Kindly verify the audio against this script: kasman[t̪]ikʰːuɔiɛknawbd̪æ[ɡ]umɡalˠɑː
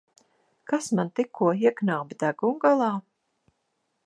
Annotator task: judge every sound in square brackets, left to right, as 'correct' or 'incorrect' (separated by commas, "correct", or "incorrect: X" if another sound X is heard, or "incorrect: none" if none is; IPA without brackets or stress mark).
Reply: correct, correct